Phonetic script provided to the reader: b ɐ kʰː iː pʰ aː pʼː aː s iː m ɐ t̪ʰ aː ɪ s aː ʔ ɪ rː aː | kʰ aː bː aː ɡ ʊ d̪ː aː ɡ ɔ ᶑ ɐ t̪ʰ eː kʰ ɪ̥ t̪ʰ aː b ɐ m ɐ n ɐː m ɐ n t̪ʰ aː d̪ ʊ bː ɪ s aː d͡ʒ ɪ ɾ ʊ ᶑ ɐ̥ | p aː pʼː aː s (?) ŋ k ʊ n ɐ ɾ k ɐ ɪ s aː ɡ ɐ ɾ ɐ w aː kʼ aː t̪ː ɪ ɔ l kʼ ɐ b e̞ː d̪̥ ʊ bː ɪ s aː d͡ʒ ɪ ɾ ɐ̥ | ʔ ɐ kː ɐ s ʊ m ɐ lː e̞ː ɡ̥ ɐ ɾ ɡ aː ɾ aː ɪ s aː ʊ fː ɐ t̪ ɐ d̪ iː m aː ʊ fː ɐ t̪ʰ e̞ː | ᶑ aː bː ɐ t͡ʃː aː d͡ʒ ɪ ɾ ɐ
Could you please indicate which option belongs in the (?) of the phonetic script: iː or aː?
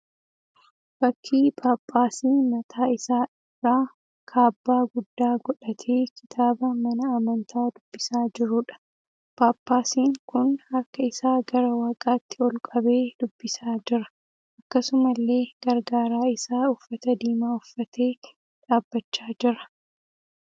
iː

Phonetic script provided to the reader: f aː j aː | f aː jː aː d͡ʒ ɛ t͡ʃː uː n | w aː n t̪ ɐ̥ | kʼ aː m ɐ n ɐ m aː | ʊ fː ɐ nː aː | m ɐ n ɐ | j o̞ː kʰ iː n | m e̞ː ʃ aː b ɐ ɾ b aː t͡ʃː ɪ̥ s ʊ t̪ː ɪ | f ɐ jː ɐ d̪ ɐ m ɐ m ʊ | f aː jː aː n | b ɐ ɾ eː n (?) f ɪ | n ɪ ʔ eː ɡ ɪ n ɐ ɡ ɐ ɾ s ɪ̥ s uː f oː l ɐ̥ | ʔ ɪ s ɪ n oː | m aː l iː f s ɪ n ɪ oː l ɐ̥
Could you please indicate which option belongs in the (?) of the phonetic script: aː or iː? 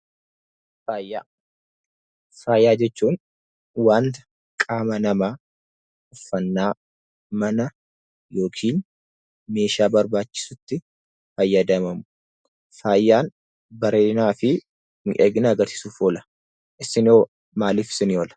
aː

